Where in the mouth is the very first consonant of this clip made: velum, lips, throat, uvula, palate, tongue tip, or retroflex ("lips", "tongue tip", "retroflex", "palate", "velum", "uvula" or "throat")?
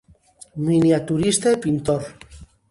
lips